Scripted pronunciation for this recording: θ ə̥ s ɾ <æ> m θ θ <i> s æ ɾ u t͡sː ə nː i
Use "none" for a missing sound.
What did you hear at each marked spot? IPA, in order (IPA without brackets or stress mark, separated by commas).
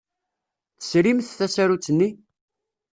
i, æ